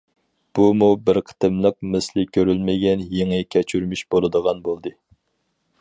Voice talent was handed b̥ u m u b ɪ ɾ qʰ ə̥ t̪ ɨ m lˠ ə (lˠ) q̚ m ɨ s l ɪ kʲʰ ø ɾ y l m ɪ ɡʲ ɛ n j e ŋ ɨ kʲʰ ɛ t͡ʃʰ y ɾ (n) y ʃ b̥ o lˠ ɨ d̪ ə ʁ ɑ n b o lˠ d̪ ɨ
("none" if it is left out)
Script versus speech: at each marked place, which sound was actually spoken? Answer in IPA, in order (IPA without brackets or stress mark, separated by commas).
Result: none, m